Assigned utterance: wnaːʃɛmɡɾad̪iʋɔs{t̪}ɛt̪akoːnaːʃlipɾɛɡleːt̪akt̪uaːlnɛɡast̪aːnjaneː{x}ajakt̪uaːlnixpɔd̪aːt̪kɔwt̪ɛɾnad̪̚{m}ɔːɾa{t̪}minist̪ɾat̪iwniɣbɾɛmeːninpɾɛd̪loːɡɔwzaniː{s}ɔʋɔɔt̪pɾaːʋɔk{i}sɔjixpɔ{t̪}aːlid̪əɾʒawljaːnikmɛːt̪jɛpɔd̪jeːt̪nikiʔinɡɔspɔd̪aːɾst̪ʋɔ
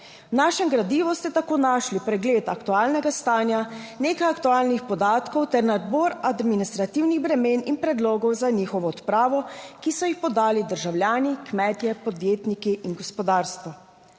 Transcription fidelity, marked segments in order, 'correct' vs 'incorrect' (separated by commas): correct, incorrect, incorrect, incorrect, incorrect, correct, incorrect